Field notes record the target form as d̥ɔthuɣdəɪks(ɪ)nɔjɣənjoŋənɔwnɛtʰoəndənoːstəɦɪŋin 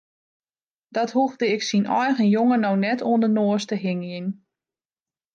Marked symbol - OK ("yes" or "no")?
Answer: no